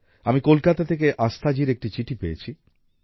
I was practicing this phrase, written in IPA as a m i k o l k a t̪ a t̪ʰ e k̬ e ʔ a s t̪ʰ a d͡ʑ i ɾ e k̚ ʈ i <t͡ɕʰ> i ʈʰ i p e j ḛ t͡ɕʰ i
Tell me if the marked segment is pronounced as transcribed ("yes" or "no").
no